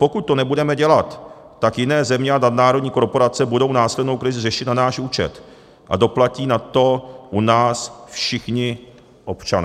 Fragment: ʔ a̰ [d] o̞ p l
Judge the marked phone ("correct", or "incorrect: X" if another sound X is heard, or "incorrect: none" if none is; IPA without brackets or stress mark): correct